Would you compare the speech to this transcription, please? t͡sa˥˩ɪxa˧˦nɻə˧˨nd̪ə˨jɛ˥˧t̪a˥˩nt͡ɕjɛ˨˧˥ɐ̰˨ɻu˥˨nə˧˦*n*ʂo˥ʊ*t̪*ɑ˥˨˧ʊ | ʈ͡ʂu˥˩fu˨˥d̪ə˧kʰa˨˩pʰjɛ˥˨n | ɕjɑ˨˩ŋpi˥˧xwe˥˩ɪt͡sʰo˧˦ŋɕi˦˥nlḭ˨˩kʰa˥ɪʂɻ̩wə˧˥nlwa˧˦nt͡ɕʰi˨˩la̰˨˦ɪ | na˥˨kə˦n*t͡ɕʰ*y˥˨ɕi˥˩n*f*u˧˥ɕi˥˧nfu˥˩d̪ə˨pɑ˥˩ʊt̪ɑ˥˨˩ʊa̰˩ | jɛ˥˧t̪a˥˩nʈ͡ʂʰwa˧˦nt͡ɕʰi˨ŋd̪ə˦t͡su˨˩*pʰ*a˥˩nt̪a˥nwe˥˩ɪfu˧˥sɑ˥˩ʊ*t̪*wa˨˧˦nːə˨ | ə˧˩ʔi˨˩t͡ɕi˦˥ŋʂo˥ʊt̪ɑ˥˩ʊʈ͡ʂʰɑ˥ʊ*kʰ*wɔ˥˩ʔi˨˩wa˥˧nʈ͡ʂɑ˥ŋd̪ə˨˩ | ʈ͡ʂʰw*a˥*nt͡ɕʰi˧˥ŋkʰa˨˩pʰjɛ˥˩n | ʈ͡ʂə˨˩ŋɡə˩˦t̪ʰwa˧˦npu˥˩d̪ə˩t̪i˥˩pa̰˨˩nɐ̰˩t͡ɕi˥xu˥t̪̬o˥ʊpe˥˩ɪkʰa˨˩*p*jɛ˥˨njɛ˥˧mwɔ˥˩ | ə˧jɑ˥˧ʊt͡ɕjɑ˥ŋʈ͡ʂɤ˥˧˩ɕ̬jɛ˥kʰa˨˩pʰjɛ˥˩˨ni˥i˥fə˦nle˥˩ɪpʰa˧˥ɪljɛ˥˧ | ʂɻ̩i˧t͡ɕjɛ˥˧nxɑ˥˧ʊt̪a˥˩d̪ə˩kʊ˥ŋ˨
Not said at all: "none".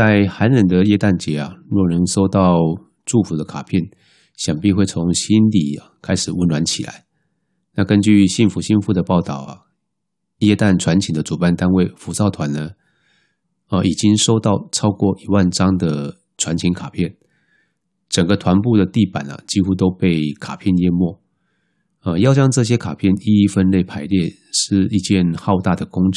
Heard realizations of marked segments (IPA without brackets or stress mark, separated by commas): ŋ, t̪, t͡ɕ, f, p, t̪ʰ, k, a˧˦, pʰ